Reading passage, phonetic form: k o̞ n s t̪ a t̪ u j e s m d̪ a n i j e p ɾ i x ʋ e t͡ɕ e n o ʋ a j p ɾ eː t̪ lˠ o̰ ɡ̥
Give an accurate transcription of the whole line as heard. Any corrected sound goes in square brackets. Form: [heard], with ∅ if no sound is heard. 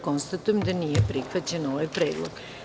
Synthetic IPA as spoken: k o̞ n s t̪ a t̪ u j e [∅] m d̪ a n i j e p ɾ i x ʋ [a] t͡ɕ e n o ʋ a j p ɾ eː [d̪] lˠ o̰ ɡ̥